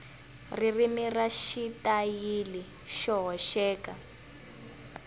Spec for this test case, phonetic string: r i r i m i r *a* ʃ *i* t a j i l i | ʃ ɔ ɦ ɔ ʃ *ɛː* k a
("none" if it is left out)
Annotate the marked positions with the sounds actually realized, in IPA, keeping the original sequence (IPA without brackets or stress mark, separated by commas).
a, i, ɛː